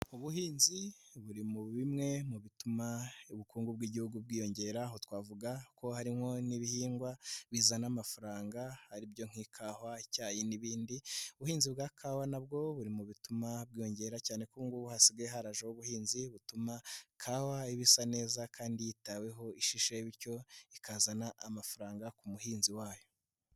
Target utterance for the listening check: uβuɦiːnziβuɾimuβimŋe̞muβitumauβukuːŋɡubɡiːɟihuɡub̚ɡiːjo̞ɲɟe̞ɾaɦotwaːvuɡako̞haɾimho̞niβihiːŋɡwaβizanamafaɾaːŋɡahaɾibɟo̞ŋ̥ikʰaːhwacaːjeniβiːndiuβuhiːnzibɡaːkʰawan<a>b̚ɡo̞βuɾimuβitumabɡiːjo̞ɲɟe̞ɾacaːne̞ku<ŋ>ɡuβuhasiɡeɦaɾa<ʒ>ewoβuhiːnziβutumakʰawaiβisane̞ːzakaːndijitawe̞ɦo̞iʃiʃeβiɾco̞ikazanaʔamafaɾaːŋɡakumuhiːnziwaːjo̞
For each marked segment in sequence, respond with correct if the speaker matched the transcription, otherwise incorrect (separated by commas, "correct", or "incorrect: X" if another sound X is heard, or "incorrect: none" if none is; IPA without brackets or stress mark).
correct, correct, correct